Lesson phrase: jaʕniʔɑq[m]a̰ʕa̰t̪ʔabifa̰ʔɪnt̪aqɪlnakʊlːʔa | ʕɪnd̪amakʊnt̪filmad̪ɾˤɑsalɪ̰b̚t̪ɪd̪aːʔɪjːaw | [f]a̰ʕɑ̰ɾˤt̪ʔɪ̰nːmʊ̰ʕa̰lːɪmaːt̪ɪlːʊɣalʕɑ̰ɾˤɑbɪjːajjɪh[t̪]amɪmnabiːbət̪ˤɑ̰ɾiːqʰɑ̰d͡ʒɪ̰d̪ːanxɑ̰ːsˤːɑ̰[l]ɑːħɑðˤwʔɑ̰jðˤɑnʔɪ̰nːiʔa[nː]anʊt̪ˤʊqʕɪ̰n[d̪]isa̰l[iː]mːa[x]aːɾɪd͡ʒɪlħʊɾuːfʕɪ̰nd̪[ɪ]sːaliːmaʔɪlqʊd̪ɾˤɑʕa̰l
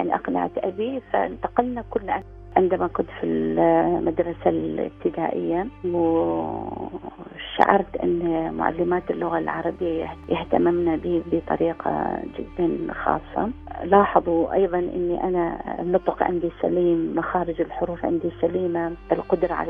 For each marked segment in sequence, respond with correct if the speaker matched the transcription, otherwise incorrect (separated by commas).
incorrect, incorrect, correct, correct, incorrect, correct, correct, correct, incorrect